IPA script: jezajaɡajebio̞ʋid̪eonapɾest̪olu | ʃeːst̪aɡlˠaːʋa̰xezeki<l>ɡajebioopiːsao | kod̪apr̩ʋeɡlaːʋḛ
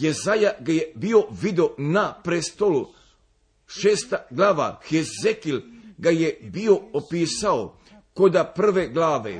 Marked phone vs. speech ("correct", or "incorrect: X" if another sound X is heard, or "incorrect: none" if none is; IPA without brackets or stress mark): correct